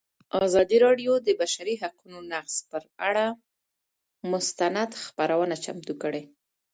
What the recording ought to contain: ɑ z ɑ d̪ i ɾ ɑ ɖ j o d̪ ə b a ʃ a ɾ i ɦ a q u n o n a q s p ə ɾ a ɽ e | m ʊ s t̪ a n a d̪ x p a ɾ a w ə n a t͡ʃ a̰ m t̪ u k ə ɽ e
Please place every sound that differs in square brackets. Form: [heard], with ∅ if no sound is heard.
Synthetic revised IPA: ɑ z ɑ d̪ i ɾ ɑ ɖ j o d̪ ə b a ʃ a ɾ i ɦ a q u n o n a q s p ə ɾ a ɽ [a] | m ʊ s t̪ a n a d̪ x p a ɾ a w ə n a t͡ʃ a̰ m t̪ u k ə ɽ e

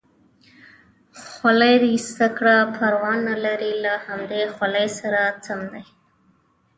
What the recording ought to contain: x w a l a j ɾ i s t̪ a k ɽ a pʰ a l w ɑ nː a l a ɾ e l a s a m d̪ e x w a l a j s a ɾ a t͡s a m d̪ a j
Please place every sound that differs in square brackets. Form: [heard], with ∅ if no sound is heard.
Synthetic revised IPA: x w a l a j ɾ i s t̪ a k ɽ a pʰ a [ɾ] w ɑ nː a l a ɾ [i] l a [h] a m d̪ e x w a l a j s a ɾ a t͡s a m d̪ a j

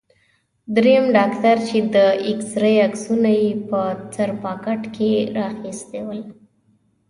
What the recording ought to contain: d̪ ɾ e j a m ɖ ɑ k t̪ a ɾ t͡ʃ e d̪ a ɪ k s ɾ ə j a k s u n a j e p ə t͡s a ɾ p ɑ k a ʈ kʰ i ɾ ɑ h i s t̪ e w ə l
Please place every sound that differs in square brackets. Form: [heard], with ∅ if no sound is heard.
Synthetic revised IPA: d̪ ɾ e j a m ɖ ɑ k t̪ a ɾ t͡ʃ e d̪ [ə] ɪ k s ɾ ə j a k s u n a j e p ə t͡s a ɾ p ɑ k a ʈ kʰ [e] ɾ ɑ [x] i s t̪ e w ə l

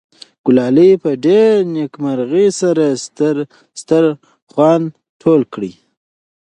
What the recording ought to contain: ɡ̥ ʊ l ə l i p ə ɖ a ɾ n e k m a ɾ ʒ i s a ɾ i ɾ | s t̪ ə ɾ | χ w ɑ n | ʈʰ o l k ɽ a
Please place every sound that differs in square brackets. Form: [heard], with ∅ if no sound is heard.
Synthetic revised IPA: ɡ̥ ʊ l [ɑ] l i p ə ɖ [e] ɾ n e k m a ɾ [ɣ] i s a ɾ [a] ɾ | s t̪ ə ɾ | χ w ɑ n | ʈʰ o l k ɽ [i]

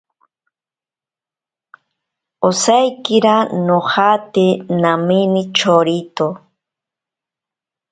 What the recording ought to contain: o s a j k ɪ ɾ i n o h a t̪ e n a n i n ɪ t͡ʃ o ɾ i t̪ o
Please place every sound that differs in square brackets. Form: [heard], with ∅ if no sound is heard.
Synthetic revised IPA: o s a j k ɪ ɾ [a] n o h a t̪ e n a [m] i n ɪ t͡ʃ o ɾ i t̪ o

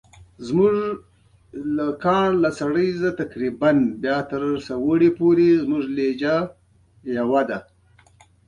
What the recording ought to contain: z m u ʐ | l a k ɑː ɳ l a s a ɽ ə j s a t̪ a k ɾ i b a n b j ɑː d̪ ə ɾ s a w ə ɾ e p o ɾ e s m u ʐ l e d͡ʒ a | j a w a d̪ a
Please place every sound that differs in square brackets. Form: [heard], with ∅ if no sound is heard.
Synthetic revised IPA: z m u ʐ | l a k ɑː ɳ l a s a ɽ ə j [z] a t̪ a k ɾ i b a n b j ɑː [t̪] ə ɾ s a w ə [ɽ] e p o ɾ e [z] m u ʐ l e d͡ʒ a | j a w a d̪ a

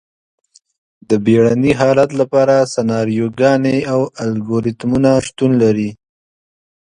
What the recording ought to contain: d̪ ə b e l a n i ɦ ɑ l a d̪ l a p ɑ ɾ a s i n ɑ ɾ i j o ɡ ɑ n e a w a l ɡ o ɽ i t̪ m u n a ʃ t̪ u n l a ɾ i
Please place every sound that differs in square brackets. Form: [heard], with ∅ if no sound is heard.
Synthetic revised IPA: d̪ ə b e [ɽ] a n i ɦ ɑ l a [t̪] l a p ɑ ɾ a s [a] n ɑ ɾ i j o ɡ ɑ n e a w a l ɡ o [ɾ] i t̪ m u n a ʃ t̪ u n l a ɾ i

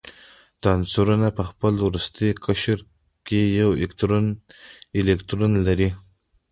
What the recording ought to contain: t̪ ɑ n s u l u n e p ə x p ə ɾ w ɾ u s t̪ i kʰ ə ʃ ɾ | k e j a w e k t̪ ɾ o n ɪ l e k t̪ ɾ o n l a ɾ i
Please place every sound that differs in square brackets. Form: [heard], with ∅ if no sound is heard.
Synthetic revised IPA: t̪ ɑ n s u [ɾ] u n [a] p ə x p ə [l] w ɾ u s t̪ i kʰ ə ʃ ɾ | k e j a w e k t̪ ɾ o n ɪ l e k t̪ ɾ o n l a ɾ i

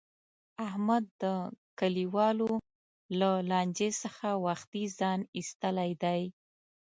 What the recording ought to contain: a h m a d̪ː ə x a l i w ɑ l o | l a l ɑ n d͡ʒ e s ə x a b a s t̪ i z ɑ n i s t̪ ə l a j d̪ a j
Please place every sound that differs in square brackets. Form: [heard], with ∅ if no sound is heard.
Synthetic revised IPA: a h m a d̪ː ə [k] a l i w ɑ l o | l a l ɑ n d͡ʒ e s ə x a [w] a [x] t̪ i z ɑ n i s t̪ ə l a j d̪ a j

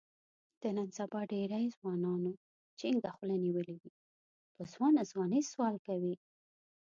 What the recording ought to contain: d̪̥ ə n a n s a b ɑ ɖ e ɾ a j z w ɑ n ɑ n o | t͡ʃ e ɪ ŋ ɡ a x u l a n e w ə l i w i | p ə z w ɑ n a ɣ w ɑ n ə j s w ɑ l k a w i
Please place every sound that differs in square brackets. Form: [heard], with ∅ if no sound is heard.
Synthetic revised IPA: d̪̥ ə n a n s a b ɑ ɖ e ɾ a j z w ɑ n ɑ n o | t͡ʃ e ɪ ŋ ɡ a x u l a n [i] w ə l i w i | p ə z w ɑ n a [z] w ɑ n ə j s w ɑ l k a w i

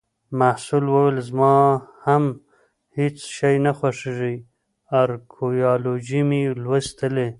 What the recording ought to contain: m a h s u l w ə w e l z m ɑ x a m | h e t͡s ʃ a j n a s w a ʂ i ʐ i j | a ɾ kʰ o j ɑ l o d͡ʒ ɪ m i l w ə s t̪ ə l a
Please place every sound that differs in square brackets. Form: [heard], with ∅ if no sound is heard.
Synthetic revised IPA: m a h s u l w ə w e l z m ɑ [h] a m | h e t͡s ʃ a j n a [x] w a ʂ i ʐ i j | a ɾ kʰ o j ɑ l o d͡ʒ [i] m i l w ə s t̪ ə l [e]

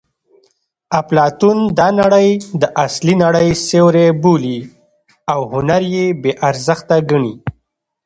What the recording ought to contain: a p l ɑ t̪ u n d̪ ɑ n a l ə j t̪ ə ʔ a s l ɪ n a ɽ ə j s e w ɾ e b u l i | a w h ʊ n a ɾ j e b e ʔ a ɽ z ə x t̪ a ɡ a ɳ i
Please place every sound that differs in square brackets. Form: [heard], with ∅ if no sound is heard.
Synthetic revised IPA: a p l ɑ t̪ u n d̪ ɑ n a [ɽ] ə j [d̪] ə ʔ a s l [i] n a ɽ ə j s e w ɾ e b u l i | a w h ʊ n a ɾ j e b e ʔ a [ɾ] z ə x t̪ a ɡ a ɳ i

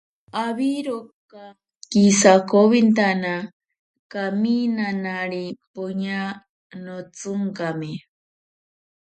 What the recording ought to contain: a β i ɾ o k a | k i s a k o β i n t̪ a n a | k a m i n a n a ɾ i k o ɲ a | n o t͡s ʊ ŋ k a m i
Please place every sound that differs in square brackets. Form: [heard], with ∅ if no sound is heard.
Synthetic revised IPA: a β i ɾ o k a | k i s a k o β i n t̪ a n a | k a m i n a n a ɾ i [p] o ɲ a | n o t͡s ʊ ŋ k a m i

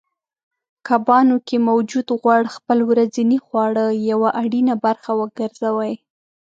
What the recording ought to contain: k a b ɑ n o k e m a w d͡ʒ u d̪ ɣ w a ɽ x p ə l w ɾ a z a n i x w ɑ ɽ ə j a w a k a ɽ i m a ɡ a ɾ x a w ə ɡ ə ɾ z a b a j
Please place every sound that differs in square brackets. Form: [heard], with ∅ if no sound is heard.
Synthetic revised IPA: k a b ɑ n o k e m a w d͡ʒ u d̪ ɣ w a ɽ x p ə l w ɾ a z [i] n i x w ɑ ɽ ə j a w a [ʔ] a ɽ i [n] a [b] a ɾ x a w ə ɡ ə ɾ z a [w] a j

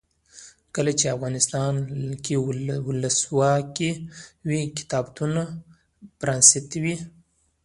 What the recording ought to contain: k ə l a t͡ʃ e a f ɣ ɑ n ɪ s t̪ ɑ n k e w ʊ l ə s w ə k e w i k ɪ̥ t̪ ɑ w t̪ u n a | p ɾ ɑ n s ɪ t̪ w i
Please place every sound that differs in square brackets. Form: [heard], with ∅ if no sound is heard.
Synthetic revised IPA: k ə l a t͡ʃ e a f ɣ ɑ n ɪ s t̪ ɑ n k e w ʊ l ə s w [ɑ] k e w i k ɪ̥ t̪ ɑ [b] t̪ u n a | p ɾ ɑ n s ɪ t̪ w i

